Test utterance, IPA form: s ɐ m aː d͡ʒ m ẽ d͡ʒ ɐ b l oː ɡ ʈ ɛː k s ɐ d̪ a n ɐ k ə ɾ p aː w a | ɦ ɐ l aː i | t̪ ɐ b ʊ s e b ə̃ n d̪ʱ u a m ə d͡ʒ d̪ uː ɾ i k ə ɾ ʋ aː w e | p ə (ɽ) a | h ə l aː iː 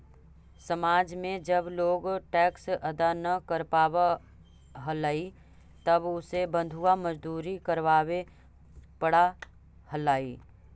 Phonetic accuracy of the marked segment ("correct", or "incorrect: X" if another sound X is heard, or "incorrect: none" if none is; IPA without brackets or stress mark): correct